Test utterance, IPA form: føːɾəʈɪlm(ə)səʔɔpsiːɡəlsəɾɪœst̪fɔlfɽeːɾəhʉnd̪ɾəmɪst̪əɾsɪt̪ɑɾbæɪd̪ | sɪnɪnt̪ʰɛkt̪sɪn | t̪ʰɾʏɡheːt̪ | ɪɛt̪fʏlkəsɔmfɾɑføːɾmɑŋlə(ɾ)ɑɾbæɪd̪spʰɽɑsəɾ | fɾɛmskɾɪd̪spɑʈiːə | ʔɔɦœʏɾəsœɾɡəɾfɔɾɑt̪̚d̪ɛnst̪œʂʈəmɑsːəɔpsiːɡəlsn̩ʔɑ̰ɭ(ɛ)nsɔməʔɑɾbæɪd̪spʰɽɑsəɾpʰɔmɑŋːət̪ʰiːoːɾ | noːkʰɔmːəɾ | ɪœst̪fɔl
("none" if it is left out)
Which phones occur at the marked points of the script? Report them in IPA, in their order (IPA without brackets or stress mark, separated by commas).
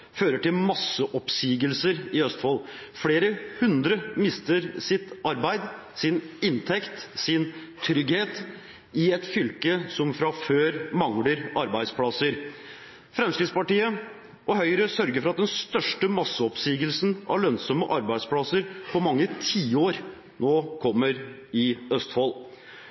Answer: ɑ, ɾ, œ